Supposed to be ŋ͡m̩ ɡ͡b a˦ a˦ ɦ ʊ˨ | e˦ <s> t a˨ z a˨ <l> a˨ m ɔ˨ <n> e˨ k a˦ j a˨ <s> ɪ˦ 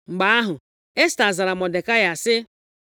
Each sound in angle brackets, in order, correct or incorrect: correct, incorrect: ɾ, incorrect: d, correct

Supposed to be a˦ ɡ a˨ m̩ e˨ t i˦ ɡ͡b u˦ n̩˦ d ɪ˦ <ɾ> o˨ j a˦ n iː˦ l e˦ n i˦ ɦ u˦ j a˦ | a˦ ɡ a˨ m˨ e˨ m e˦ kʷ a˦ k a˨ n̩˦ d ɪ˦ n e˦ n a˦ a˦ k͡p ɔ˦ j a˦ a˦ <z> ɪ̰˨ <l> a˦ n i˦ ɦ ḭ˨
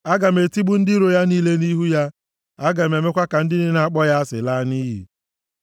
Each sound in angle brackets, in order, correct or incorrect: correct, incorrect: s, correct

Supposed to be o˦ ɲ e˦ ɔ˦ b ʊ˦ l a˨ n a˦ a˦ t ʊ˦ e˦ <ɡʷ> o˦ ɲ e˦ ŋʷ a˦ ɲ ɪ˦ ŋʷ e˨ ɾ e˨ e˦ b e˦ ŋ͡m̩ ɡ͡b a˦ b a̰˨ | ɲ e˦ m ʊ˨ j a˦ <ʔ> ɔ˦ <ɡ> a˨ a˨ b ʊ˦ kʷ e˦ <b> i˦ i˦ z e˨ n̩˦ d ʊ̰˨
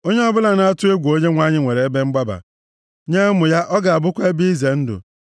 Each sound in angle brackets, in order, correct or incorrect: correct, correct, correct, correct

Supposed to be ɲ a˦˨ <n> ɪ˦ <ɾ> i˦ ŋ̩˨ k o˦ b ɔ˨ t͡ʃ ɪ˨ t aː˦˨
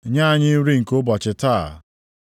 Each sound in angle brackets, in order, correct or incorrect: incorrect: ɲ, correct

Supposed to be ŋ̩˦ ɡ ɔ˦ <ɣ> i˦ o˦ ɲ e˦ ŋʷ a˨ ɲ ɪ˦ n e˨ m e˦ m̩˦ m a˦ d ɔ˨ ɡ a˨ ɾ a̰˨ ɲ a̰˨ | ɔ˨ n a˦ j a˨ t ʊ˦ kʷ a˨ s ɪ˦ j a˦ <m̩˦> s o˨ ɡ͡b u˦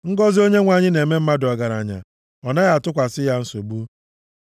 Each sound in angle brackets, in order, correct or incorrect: incorrect: z, incorrect: n̩˦

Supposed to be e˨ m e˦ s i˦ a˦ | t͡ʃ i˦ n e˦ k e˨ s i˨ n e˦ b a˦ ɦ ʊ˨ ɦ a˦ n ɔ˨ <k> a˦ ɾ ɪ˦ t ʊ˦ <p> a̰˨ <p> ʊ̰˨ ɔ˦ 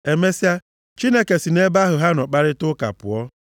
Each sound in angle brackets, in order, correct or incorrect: incorrect: k͡p, incorrect: k, correct

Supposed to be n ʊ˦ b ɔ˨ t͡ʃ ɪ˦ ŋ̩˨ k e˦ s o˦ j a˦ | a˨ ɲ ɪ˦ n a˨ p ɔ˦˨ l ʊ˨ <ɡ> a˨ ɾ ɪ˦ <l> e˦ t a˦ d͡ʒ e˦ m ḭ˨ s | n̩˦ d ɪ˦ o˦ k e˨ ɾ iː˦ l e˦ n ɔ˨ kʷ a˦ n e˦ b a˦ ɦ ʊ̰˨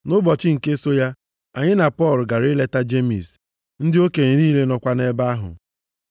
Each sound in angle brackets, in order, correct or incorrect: correct, correct

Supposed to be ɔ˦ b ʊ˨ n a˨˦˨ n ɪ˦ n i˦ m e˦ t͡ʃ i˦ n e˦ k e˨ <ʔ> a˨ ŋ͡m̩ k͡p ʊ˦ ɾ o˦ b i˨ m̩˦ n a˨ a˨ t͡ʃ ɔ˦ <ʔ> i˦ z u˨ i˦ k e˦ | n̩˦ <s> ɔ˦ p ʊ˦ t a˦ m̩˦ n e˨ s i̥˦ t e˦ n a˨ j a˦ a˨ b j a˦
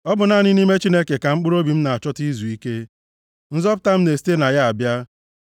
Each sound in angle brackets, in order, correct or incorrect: incorrect: k, incorrect: t, incorrect: z

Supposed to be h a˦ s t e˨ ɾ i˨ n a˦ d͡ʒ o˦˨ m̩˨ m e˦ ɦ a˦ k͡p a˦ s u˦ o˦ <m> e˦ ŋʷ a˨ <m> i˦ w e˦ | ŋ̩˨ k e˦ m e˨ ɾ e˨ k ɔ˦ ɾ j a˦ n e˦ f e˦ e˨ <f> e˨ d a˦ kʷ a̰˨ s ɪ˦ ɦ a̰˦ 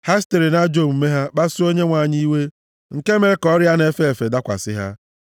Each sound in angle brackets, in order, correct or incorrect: incorrect: ɲ, incorrect: ɲ, correct

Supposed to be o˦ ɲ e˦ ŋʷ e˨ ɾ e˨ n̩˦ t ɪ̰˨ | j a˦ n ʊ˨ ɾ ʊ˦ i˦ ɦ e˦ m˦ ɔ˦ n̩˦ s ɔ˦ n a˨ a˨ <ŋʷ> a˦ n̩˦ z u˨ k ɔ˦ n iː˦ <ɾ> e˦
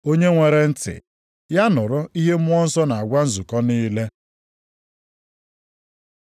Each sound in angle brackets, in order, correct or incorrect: incorrect: ɡʷ, incorrect: l

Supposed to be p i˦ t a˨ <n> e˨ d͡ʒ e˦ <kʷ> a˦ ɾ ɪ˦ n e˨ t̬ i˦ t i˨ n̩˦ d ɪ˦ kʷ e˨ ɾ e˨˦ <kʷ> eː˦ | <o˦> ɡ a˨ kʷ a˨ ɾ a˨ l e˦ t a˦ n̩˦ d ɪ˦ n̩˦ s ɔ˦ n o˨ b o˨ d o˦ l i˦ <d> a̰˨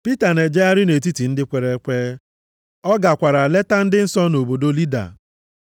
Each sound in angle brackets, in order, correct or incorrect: correct, incorrect: none, correct, incorrect: ɔ˦, correct

